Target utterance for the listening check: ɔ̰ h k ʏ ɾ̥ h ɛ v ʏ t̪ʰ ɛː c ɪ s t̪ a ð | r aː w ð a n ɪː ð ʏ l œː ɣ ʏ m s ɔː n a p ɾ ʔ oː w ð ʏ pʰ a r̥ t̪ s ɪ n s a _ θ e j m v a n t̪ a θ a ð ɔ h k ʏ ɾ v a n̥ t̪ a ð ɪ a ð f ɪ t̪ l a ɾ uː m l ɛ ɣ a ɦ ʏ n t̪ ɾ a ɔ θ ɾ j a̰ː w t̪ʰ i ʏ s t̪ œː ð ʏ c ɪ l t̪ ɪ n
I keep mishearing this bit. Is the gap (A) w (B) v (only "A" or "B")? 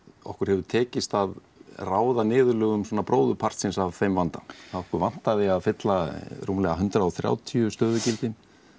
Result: B